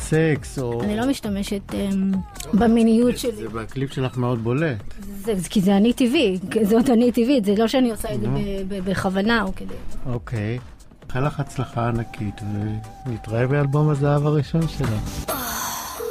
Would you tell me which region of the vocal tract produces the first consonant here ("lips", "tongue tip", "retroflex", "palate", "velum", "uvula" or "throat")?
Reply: tongue tip